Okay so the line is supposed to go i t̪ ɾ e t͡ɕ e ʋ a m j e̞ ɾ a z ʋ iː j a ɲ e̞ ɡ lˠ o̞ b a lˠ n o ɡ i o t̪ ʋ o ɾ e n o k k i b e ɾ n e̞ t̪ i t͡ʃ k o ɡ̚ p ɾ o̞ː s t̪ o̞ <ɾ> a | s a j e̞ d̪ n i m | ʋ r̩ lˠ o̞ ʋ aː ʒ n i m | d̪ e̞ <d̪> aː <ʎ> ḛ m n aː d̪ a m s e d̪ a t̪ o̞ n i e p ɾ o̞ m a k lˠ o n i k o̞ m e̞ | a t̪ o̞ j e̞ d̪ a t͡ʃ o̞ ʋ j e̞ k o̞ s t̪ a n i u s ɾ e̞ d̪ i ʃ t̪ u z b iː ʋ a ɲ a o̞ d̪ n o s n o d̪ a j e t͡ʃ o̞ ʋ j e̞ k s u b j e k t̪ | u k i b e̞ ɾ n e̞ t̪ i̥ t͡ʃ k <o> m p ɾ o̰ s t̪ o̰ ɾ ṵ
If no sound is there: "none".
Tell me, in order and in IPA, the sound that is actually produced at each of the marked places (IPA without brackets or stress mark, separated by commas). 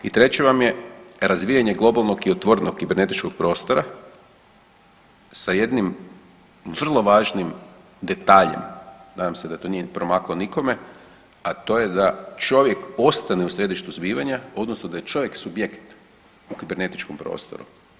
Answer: ɾ, t̪, ʎ, o